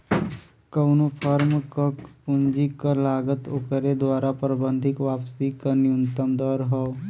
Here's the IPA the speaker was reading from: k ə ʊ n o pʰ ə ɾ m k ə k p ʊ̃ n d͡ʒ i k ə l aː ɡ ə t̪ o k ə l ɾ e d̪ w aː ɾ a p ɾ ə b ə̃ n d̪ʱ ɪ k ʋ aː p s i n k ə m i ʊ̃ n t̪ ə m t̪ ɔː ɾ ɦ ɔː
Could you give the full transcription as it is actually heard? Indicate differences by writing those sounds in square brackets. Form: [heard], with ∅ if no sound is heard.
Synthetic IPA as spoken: k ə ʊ n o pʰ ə ɾ m k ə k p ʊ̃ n d͡ʒ i k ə l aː ɡ ə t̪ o k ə [∅] ɾ e d̪ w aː ɾ a p ɾ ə b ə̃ n d̪ʱ ɪ k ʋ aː p s i [∅] k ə [n] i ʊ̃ n t̪ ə m [d̪] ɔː ɾ ɦ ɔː

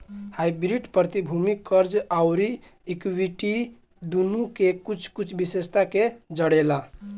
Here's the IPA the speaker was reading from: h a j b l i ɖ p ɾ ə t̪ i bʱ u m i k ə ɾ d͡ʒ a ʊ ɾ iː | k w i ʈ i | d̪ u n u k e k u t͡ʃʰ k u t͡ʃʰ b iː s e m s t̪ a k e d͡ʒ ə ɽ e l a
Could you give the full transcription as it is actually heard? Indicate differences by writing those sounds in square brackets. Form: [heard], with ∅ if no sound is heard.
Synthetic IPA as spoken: h a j b [ɾ] i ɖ p ɾ ə t̪ i bʱ u m i k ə ɾ d͡ʒ a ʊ ɾ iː | k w i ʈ i | d̪ u n u k e k u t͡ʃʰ k u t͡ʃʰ b [i] s e [∅] s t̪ a k e d͡ʒ ə ɽ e l a

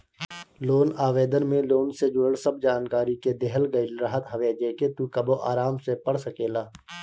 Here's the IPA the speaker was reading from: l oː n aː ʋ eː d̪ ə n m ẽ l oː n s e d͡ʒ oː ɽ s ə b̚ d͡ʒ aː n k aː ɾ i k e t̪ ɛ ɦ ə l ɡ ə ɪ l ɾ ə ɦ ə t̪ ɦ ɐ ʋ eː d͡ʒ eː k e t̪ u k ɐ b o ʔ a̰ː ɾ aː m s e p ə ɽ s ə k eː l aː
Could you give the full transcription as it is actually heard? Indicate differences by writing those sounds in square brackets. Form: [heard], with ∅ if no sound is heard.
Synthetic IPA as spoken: l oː n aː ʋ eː d̪ ə n m ẽ l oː n s e d͡ʒ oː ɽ s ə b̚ d͡ʒ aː n k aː ɾ i k e [d̪] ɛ ɦ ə l ɡ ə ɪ l ɾ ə ɦ ə t̪ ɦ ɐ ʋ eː d͡ʒ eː k e t̪ u k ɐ b o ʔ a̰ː ɾ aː m s e p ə ɽ s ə k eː l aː

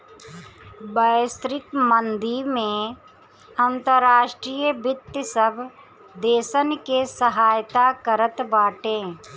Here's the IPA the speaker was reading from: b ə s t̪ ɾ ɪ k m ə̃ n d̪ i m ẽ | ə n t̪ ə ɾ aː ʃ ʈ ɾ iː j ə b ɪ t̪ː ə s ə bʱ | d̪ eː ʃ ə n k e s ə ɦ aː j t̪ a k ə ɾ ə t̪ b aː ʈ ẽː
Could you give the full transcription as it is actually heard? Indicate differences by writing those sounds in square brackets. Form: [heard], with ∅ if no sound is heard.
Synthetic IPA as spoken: b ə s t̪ ɾ ɪ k m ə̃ n d̪ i m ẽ | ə n t̪ ə ɾ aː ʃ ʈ ɾ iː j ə b ɪ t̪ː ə s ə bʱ | d̪ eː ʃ ə n k e s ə ɦ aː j t̪ a k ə ɾ ə t̪ b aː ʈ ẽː

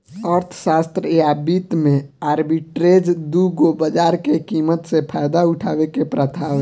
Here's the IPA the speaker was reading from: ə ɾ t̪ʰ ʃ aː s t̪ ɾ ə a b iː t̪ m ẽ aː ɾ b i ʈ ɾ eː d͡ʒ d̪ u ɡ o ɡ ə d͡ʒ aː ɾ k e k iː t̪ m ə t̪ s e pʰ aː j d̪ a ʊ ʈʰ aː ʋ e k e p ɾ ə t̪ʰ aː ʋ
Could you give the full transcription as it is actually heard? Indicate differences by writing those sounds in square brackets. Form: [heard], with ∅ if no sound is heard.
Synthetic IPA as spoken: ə ɾ t̪ʰ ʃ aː s t̪ ɾ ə a b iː t̪ m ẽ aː ɾ b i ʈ ɾ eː d͡ʒ d̪ u ɡ o [b] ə d͡ʒ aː ɾ k e k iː [∅] m ə t̪ s e pʰ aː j d̪ a ʊ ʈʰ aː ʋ e k e p ɾ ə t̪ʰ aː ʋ

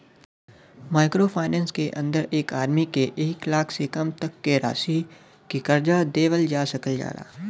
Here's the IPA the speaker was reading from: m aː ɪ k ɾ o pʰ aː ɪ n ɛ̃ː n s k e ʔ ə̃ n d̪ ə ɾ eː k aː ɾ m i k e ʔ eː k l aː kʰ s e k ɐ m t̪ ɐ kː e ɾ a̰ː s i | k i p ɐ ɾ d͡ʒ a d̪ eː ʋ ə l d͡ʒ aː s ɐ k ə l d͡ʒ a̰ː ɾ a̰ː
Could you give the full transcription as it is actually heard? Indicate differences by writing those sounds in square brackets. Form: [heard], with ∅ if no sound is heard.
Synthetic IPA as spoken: m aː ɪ k ɾ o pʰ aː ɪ n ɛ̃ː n s k e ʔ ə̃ n d̪ ə ɾ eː k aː ɾ m i k e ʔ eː k l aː kʰ s e k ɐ m t̪ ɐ kː e ɾ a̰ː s i | k i [k] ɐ ɾ d͡ʒ a d̪ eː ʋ ə l d͡ʒ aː s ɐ k ə l d͡ʒ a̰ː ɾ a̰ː

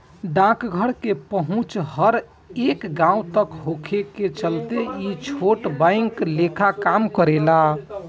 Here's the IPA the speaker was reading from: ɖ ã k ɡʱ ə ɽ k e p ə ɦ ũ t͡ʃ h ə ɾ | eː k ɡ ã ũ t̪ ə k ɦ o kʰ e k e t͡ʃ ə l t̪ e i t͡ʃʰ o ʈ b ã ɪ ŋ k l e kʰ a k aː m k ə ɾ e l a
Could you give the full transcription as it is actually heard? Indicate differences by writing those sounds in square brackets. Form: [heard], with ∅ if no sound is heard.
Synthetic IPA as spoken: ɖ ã k ɡʱ ə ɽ k e p ə ɦ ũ t͡ʃ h ə ɾ | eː k ɡ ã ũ t̪ ə k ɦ o kʰ e k e t͡ʃ ə l t̪ e i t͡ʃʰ o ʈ b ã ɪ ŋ k l e kʰ a k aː m k ə ɾ e l a

